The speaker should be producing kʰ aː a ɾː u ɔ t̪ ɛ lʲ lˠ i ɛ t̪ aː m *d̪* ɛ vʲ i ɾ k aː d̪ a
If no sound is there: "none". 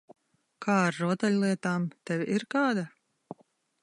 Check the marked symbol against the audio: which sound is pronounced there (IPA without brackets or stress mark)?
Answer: t̪